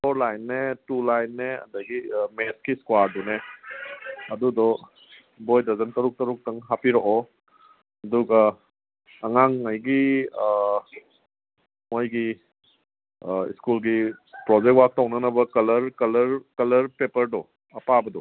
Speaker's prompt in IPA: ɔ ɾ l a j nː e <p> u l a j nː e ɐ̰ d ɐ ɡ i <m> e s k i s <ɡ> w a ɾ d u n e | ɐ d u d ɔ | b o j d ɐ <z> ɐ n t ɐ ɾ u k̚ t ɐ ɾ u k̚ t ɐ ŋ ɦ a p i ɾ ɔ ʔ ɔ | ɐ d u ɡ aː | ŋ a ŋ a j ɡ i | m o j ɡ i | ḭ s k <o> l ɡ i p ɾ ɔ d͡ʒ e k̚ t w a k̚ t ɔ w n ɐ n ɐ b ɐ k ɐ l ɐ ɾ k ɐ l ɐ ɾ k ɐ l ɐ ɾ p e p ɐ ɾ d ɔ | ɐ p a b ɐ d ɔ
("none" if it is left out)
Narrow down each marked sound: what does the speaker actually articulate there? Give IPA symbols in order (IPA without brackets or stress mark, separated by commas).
t, m, k, z, u